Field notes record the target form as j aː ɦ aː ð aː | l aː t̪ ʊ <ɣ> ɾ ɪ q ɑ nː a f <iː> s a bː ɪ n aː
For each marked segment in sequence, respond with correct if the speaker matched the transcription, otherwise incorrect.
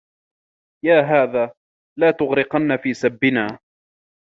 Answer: correct, correct

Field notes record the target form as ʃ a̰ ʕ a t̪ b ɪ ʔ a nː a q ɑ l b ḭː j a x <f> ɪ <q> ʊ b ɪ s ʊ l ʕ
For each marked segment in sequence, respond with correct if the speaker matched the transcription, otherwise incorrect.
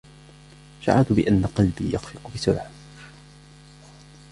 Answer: correct, correct

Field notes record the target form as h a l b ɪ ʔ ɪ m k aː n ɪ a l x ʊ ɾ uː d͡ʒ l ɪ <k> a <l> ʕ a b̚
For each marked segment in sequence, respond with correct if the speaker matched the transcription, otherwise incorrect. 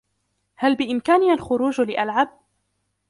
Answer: incorrect: ʔ, correct

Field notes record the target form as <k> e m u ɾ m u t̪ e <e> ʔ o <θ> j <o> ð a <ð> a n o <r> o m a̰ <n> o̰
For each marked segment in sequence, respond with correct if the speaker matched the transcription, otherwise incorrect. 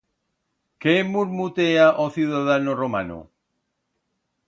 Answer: correct, incorrect: a, correct, incorrect: u, correct, correct, correct

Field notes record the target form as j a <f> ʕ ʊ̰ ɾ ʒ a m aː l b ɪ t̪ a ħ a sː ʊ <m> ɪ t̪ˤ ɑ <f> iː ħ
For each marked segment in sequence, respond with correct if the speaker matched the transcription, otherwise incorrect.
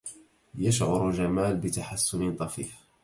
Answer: incorrect: ʃ, incorrect: n, correct

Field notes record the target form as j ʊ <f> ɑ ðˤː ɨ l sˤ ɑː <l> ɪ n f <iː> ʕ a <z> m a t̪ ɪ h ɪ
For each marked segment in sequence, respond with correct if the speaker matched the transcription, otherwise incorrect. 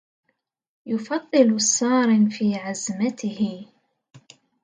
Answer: correct, incorrect: ɾ, correct, correct

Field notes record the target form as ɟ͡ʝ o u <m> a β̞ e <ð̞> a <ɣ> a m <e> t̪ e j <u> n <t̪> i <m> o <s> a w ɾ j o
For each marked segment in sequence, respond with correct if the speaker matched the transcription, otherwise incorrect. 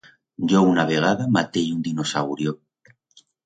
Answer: incorrect: n, incorrect: ɣ̞, incorrect: ð, incorrect: a, correct, incorrect: d̪, incorrect: n, correct

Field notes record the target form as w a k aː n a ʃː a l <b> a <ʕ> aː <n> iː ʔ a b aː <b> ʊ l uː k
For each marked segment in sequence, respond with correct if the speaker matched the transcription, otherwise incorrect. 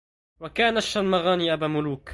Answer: incorrect: m, incorrect: ɣ, correct, incorrect: m

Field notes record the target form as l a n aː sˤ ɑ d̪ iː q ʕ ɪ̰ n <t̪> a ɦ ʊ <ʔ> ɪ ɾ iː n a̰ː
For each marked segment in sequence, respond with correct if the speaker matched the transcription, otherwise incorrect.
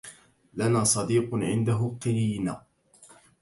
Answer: incorrect: d̪, incorrect: q

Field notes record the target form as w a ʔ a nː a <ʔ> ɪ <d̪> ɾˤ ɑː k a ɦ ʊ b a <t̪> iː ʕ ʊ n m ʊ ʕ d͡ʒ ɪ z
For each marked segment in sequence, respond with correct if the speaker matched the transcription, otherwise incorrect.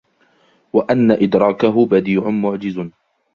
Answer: correct, correct, incorrect: d̪

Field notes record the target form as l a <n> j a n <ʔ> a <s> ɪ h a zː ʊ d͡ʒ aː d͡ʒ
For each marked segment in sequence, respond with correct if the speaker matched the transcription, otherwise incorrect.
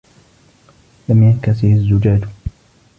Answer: incorrect: m, incorrect: k, correct

